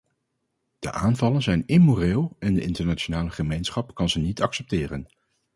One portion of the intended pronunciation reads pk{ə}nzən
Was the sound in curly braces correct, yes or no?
no